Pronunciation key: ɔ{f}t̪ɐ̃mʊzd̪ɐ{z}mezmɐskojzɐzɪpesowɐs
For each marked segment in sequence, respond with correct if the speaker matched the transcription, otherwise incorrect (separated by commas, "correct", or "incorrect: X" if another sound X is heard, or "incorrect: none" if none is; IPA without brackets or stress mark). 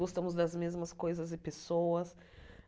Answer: incorrect: s, correct